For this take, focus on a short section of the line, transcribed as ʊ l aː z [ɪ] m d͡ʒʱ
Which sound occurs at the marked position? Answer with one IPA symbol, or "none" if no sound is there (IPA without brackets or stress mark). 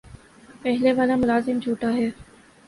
ɪ